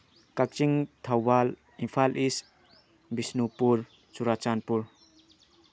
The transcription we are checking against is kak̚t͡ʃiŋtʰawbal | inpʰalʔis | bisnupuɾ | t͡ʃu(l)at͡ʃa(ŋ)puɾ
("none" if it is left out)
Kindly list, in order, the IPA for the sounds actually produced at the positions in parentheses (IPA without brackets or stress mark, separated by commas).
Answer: ɾ, n